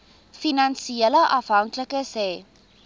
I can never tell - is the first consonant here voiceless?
yes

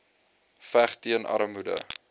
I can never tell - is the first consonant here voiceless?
yes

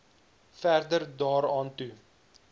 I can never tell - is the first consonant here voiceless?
yes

